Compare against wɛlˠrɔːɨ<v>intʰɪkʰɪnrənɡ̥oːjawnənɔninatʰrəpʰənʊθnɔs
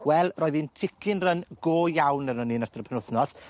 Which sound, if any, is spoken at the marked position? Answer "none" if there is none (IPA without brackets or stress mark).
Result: ð